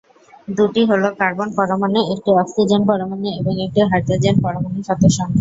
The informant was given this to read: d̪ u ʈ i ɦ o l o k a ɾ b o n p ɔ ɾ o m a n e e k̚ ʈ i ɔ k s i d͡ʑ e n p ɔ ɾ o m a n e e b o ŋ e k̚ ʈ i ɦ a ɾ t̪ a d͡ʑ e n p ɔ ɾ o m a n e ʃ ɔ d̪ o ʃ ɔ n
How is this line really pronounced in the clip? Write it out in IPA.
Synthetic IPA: d̪ u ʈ i ɦ o l o k a ɾ b o n p ɔ ɾ o m a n e e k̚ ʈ i ɔ k s i d͡ʑ e n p ɔ ɾ o m a n e e b o ŋ e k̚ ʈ i ɦ a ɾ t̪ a d͡ʑ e n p ɔ ɾ o m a n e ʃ ɔ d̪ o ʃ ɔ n